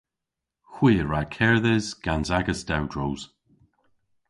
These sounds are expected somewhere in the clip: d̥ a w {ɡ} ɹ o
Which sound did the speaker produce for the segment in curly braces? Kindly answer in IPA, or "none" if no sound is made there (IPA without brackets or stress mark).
d